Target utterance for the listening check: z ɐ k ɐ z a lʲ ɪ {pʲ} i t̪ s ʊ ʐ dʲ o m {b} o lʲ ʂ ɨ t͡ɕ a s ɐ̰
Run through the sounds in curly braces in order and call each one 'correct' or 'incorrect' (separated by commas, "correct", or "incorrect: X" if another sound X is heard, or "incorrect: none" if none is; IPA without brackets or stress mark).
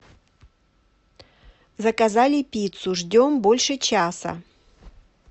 correct, correct